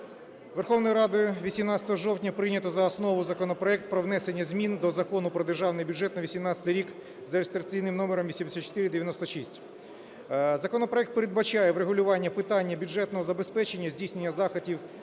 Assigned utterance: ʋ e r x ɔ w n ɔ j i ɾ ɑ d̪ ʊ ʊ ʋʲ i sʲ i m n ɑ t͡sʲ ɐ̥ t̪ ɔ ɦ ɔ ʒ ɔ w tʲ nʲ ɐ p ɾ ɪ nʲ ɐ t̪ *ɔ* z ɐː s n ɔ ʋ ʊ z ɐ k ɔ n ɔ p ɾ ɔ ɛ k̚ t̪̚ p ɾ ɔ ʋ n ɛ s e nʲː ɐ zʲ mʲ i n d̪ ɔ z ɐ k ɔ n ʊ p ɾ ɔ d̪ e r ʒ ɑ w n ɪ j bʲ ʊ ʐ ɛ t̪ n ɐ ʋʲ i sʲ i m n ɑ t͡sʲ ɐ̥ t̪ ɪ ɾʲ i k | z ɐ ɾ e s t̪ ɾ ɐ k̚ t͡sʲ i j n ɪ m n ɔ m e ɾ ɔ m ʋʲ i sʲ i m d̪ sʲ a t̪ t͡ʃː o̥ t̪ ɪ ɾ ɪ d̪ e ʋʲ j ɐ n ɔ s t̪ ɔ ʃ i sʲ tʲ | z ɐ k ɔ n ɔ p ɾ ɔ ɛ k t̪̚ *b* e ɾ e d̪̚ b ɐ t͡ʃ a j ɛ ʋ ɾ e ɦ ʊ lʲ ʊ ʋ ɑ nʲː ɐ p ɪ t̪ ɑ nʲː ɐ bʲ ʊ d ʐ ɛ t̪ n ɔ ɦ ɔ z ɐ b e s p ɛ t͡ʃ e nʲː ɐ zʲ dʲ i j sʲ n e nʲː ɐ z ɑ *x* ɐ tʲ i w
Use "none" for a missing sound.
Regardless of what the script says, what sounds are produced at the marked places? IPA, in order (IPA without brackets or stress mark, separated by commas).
ɔ, p, x